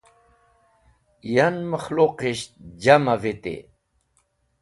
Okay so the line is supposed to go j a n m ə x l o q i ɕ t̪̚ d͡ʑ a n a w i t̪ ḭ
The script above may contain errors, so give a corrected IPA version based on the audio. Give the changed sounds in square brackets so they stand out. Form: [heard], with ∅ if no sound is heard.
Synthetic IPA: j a n m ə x l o q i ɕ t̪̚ d͡ʑ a [m] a [v] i t̪ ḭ